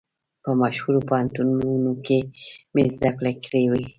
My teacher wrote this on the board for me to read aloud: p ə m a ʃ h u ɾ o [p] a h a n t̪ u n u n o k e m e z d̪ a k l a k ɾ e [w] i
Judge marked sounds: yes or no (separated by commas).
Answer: yes, yes